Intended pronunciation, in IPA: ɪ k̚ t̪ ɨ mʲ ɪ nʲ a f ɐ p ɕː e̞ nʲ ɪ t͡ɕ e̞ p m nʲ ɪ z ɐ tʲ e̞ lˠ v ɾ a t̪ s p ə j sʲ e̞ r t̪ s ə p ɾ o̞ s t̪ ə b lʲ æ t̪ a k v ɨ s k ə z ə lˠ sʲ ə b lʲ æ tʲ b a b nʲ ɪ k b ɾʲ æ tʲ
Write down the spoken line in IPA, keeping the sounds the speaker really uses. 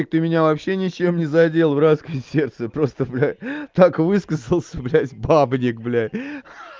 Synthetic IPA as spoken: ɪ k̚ t̪ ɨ mʲ ɪ nʲ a v ɐ p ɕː e̞ nʲ ɪ t͡ɕ e̞ m nʲ ɪ z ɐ dʲ e̞ lˠ v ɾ a t̪ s k ə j sʲ e̞ r t̪ s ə p ɾ o̞ s t̪ ə b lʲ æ t̪ a k v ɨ s k ə z ə lˠ sʲ ə b lʲ æ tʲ b a b nʲ ɪ k b lʲ æ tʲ

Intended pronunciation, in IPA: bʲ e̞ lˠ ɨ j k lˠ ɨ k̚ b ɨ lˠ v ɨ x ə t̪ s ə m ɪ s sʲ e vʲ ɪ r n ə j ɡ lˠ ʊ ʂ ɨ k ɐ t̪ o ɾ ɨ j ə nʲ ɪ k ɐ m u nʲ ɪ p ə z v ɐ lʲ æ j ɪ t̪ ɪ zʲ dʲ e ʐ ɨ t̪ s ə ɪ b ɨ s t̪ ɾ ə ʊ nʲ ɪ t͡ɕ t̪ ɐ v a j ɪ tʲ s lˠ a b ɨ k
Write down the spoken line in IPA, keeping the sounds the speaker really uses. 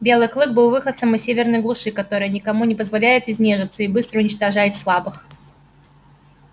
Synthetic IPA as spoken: bʲ e̞ lˠ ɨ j k lˠ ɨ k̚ b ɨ lˠ v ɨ x ə t̪ s ə m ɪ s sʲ e vʲ ɪ r n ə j ɡ lˠ ʊ ʂ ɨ k ɐ t̪ o ɾ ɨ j ə nʲ ɪ k ɐ m u nʲ ɪ p ə z v ɐ lʲ æ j ɪ t̪ ɪ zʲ nʲ e ʐ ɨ t̪ s ə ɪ b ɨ s t̪ ɾ ə ʊ nʲ ɪ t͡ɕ t̪ ɐ ʐ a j ɪ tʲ s lˠ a b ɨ x

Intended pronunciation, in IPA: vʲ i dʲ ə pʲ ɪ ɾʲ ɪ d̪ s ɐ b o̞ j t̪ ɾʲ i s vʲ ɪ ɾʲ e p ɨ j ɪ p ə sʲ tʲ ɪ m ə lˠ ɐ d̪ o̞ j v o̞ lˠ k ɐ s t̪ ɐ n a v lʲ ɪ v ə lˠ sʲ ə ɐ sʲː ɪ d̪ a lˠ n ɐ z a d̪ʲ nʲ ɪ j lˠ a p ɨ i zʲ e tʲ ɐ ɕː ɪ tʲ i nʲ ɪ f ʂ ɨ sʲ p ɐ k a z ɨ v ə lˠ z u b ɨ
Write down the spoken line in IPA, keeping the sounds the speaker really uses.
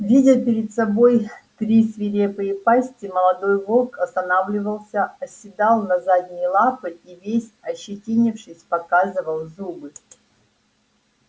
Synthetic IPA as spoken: vʲ i dʲ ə pʲ ɪ ɾʲ ɪ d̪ s ɐ b o̞ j t̪ ɾʲ i s vʲ ɪ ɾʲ e p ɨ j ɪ p a sʲ tʲ ɪ m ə lˠ ɐ d̪ o̞ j v o̞ lˠ k ɐ s t̪ ɐ n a v lʲ ɪ v ə lˠ sʲ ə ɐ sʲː ɪ d̪ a lˠ n ɐ z a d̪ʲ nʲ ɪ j lˠ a p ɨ i vʲ e sʲ ɐ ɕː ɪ tʲ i nʲ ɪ f ʂ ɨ sʲ p ɐ k a z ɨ v ə lˠ z u b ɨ

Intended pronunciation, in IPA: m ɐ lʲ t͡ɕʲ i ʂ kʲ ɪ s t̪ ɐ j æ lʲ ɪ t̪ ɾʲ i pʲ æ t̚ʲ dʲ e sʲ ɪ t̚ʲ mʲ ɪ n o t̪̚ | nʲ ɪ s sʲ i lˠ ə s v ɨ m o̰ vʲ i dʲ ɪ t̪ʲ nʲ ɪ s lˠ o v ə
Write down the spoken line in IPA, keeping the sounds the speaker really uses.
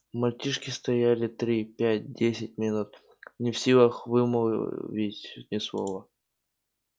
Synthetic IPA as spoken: m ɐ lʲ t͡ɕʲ i ʂ kʲ ɪ s t̪ ɐ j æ lʲ ɪ t̪ ɾʲ i pʲ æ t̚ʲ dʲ e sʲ ɪ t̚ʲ mʲ ɪ n u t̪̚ | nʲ ɪ f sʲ i lˠ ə x v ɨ m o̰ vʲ i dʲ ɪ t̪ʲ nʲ ɪ s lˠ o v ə

